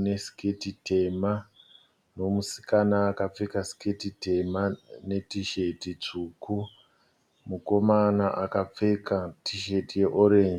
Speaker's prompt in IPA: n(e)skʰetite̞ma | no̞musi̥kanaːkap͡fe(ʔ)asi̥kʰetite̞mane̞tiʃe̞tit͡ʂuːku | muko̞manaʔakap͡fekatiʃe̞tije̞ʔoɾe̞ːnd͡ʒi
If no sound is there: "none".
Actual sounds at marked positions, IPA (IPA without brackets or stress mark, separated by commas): e, k